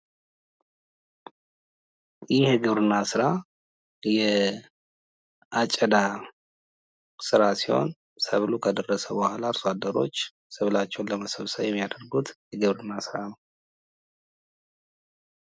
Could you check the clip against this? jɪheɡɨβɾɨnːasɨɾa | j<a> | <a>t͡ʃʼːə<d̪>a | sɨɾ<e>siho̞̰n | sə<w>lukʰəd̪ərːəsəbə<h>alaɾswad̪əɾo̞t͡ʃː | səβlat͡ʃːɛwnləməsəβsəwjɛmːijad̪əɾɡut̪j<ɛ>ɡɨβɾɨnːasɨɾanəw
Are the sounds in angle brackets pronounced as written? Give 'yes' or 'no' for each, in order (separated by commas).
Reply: no, yes, yes, no, no, yes, yes